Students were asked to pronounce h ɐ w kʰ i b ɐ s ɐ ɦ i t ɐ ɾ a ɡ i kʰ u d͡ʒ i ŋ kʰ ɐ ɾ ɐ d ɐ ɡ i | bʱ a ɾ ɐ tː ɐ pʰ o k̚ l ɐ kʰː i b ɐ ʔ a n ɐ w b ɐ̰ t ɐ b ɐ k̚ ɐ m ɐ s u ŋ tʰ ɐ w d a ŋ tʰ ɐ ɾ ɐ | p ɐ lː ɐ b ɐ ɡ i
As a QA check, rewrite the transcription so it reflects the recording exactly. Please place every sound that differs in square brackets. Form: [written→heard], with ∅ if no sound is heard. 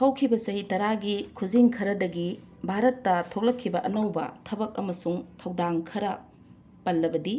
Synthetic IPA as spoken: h ɐ w kʰ i b ɐ s ɐ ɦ i t ɐ ɾ a ɡ i kʰ u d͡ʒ i ŋ kʰ ɐ ɾ ɐ d ɐ ɡ i | bʱ a ɾ ɐ tː ɐ [pʰ→tʰ] o k̚ l ɐ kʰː i b ɐ ʔ [a→ɐ] n ɐ w b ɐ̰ [t→tʰ] ɐ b ɐ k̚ ɐ m ɐ s u ŋ tʰ ɐ w d a ŋ [tʰ→kʰ] ɐ ɾ ɐ | p ɐ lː ɐ b ɐ [ɡ→d] i